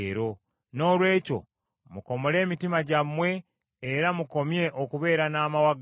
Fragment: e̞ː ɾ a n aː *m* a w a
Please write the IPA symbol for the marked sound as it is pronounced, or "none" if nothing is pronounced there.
m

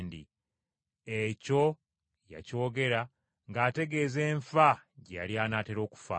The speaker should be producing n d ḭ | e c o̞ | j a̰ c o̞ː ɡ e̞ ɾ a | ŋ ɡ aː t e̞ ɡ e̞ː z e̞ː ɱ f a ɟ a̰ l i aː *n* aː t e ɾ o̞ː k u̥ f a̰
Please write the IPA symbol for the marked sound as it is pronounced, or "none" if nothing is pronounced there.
n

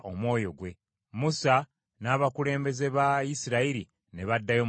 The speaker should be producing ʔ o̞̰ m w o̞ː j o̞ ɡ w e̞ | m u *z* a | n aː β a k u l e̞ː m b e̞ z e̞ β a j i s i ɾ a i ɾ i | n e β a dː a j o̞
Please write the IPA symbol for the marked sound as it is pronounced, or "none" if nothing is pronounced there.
s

